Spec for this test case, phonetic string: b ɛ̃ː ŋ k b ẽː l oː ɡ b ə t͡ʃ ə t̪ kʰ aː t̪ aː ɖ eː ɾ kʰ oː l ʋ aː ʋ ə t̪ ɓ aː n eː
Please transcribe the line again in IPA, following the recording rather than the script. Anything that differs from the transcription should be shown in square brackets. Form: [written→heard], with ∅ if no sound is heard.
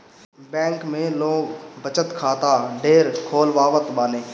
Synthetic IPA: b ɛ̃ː ŋ k [b→m] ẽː l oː ɡ b ə t͡ʃ ə t̪ kʰ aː t̪ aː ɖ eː ɾ kʰ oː l ʋ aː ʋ ə t̪ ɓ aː n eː